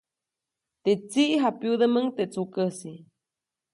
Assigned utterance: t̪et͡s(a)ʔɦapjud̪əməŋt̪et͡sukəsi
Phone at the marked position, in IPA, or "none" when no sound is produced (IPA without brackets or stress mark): i